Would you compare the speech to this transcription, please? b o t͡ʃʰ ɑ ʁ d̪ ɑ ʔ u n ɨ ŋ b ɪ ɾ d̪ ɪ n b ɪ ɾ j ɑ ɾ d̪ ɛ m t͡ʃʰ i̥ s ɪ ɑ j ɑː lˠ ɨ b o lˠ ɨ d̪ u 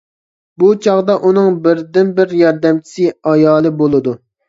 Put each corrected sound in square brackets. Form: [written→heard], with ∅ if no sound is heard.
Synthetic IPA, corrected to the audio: b [o→u] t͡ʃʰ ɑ ʁ d̪ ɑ ʔ u n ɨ ŋ b ɪ ɾ d̪ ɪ n b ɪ ɾ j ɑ ɾ d̪ ɛ m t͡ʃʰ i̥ s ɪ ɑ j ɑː lˠ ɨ b o lˠ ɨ d̪ u